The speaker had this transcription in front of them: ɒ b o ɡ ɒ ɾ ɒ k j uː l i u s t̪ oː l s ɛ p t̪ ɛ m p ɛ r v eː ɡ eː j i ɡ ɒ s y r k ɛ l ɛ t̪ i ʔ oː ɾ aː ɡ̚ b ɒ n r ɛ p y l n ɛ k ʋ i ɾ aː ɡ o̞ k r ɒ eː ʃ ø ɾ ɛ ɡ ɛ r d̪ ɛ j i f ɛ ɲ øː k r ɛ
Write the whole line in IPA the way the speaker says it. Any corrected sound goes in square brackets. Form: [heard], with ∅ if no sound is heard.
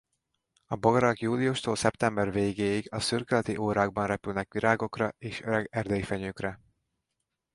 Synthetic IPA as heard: ɒ b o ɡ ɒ ɾ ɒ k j uː l i u [ʃ] t̪ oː l s ɛ p t̪ ɛ m [b] ɛ r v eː ɡ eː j i ɡ ɒ s y r k ɛ l ɛ t̪ i ʔ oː ɾ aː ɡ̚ b ɒ n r ɛ p y l n ɛ k ʋ i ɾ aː ɡ o̞ k r ɒ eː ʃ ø ɾ ɛ ɡ ɛ r d̪ ɛ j i f ɛ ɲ øː k r ɛ